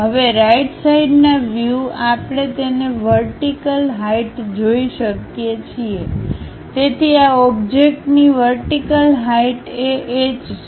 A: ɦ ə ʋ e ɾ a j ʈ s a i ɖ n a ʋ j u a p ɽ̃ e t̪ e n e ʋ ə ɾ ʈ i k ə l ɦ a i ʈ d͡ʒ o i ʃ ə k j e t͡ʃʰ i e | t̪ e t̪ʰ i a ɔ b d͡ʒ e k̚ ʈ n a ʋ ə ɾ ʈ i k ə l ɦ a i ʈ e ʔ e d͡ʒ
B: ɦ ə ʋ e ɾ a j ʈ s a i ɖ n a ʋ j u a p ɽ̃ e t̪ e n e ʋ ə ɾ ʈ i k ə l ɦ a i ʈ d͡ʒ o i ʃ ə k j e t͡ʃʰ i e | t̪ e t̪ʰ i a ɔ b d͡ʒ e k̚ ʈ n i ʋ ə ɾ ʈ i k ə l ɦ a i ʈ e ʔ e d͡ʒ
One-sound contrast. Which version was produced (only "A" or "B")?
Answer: B